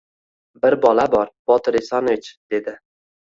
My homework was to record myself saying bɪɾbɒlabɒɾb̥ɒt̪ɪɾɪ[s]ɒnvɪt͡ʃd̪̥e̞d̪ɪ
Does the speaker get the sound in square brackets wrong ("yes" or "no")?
no